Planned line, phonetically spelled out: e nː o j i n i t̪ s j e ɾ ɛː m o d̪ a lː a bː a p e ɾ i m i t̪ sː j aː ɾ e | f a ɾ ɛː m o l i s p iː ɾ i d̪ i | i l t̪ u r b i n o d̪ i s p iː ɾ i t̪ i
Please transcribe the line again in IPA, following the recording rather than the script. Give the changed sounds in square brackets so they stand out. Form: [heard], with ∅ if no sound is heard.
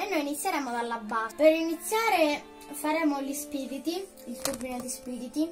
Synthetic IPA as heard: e nː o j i n i t̪ [sː] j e ɾ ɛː m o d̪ a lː a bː a p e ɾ i [n] i t̪ sː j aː ɾ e | f a ɾ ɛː m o l i s p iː ɾ i [t̪] i | i l t̪ u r b i n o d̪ i s p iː ɾ i t̪ i